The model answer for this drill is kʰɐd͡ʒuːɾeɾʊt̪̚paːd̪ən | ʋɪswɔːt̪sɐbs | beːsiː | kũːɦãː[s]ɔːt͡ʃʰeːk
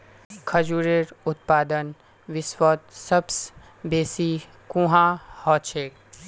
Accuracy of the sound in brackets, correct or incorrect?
incorrect